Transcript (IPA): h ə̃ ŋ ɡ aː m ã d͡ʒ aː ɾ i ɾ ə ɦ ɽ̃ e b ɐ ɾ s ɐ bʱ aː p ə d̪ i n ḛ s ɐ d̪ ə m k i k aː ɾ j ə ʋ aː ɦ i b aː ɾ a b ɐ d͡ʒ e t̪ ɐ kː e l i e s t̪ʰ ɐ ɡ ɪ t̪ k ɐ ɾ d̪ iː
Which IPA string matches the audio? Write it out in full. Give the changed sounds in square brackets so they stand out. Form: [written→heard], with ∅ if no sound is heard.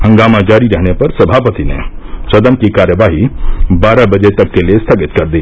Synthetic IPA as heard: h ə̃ ŋ ɡ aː m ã d͡ʒ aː ɾ i ɾ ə ɦ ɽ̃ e [b→p] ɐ ɾ s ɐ bʱ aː p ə [d̪→t̪] i n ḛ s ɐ d̪ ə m k i k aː ɾ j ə ʋ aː ɦ i b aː ɾ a b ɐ d͡ʒ e t̪ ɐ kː e l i e s t̪ʰ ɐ ɡ ɪ t̪ k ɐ ɾ d̪ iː